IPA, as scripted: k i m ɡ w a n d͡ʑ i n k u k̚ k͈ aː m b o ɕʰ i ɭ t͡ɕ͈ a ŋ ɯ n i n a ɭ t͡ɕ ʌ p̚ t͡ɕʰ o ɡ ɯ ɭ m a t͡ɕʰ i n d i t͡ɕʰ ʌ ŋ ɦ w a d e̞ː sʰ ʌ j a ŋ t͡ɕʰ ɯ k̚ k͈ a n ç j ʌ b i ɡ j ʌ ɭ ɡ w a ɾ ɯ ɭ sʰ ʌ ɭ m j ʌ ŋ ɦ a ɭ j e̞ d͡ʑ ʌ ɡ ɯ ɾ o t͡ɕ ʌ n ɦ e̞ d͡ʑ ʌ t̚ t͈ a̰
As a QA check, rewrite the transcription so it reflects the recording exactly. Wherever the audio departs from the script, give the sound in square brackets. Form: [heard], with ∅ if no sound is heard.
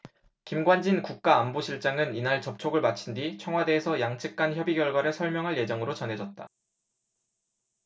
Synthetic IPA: k i m ɡ w a n d͡ʑ i n k u k̚ k͈ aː m b o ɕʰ i ɭ t͡ɕ͈ a ŋ ɯ n i n a ɭ t͡ɕ ʌ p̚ t͡ɕʰ o ɡ ɯ ɭ m a t͡ɕʰ i n d i t͡ɕʰ ʌ ŋ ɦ w a d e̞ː sʰ ʌ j a ŋ t͡ɕʰ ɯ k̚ k͈ a n ç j ʌ b i ɡ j ʌ ɭ ɡ w a ɾ ɯ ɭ sʰ ʌ ɭ m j ʌ ŋ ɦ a ɭ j e̞ d͡ʑ ʌ [ŋ] ɯ ɾ o t͡ɕ ʌ n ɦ e̞ d͡ʑ ʌ t̚ t͈ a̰